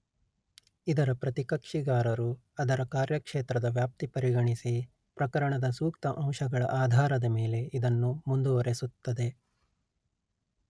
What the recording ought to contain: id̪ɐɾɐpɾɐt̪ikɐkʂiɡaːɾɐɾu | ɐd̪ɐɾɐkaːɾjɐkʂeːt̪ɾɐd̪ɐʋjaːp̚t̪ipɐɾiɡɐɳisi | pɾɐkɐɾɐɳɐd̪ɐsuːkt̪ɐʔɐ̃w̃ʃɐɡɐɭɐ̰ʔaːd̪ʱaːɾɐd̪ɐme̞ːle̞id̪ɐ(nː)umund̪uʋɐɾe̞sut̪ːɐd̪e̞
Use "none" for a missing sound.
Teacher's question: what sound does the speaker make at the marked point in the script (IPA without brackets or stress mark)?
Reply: nː